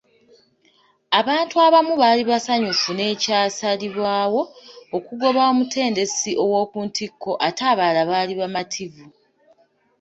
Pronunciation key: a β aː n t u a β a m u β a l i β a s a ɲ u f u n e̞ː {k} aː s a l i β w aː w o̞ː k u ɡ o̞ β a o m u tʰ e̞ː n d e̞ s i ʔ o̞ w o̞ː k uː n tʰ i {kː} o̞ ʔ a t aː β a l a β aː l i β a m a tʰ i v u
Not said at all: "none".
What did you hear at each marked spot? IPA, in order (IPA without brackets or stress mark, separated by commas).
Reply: c, kː